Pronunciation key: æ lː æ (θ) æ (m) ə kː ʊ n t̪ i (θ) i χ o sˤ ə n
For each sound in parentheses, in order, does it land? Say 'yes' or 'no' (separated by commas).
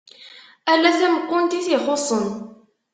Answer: yes, yes, yes